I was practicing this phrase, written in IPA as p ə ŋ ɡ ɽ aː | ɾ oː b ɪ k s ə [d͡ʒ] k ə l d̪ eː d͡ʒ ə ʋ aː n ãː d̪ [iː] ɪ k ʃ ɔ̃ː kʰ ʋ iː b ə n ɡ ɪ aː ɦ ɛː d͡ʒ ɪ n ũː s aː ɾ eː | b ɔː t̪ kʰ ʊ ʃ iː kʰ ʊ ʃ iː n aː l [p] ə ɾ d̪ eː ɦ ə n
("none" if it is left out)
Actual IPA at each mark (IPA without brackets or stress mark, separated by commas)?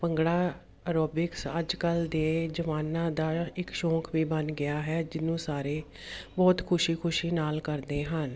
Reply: d͡ʒ, aː, k